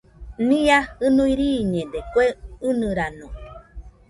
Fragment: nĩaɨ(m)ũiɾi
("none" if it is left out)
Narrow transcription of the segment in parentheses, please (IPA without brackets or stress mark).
n